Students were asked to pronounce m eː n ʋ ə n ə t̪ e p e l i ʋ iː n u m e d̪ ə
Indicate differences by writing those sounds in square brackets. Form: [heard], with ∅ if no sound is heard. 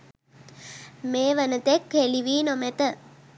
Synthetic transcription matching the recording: m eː [∅] ʋ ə n ə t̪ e [k] e l i ʋ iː n [o] m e [t̪] ə